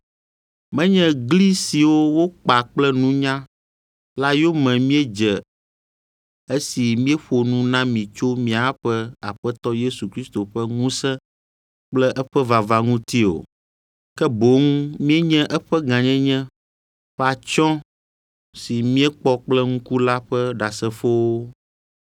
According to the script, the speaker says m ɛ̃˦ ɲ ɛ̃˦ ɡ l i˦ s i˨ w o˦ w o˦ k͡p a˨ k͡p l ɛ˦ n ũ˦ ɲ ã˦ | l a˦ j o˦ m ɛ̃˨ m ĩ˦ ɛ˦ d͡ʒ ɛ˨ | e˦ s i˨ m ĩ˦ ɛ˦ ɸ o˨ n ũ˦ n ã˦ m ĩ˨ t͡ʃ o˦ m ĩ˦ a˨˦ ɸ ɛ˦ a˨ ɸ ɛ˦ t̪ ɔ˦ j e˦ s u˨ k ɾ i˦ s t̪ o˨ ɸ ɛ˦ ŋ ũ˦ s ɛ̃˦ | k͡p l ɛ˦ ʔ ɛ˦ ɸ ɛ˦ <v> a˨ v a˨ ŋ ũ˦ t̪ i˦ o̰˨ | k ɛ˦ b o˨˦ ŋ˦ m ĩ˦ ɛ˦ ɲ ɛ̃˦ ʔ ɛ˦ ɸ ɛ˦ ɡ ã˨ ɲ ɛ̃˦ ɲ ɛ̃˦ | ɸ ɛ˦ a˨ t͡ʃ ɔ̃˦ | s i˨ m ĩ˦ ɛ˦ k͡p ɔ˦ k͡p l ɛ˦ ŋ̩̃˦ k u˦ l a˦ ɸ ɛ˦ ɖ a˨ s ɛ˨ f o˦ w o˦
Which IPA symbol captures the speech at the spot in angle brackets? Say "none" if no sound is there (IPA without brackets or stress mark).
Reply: v